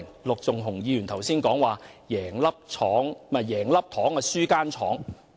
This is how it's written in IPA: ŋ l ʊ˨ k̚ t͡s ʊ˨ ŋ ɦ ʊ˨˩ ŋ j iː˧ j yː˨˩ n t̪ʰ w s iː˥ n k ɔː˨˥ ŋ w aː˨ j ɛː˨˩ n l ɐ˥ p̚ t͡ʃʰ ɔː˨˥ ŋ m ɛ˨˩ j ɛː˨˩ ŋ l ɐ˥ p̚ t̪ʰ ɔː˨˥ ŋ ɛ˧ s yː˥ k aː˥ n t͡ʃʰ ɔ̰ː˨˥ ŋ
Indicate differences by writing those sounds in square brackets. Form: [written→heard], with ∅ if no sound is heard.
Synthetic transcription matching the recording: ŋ l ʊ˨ k̚ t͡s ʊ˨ ŋ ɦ ʊ˨˩ ŋ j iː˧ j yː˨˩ n t̪ʰ w s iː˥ n k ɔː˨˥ ŋ w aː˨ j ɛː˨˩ [n→ŋ] l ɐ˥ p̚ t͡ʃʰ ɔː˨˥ ŋ m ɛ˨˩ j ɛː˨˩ ŋ l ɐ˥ p̚ t̪ʰ ɔː˨˥ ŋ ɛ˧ s yː˥ k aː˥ n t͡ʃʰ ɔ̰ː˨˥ ŋ